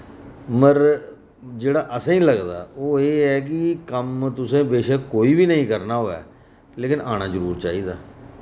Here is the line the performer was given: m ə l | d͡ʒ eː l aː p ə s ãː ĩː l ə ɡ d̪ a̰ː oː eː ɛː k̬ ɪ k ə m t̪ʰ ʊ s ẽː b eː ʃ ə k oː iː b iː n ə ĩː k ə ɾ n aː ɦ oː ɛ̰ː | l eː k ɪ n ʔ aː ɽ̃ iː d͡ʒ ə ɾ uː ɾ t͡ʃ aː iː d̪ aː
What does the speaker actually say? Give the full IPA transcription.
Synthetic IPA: m ə ɾ | d͡ʒ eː ɽ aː ʔ ə s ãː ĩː l ə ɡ d̪ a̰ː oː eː ɛː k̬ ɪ k ə m t̪ ʊ s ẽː b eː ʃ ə k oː iː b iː n ə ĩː k ə ɾ n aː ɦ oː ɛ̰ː | l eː k ɪ n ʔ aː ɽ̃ aː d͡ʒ ə ɾ uː ɾ t͡ʃ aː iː d̪ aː